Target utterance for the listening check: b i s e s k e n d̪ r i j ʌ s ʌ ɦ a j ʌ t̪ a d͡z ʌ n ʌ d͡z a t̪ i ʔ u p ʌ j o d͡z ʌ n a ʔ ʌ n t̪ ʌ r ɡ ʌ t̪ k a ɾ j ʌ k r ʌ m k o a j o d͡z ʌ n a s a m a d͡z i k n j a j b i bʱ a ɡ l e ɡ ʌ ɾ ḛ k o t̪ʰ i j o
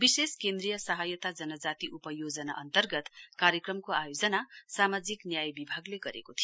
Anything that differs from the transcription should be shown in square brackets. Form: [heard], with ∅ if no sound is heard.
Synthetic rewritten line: b i s e s k e n d̪ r i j ʌ s ʌ ɦ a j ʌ t̪ a d͡z ʌ n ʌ d͡z a t̪ i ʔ u p ʌ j o d͡z ʌ n a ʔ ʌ n t̪ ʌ r ɡ ʌ t̪ k a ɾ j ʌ k r ʌ m k o a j o d͡z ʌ n a s a m a d͡z i k n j a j b i bʱ a ɡ l e ɡ ʌ ɾ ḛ k o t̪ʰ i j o